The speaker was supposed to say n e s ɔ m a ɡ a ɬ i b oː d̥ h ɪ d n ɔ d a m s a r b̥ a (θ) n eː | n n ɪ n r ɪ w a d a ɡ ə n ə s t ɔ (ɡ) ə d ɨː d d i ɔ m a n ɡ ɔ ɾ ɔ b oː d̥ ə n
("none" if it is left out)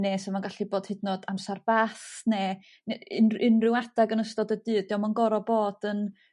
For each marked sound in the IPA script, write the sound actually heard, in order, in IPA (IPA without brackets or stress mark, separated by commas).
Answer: θ, d